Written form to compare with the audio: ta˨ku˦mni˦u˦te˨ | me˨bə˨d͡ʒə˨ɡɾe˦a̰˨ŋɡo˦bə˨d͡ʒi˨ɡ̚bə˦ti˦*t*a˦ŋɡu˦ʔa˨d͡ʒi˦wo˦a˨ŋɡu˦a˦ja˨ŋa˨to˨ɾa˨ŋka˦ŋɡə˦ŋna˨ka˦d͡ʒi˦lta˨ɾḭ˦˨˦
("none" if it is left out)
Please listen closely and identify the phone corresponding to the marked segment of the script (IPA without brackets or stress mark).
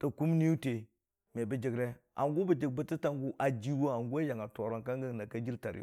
t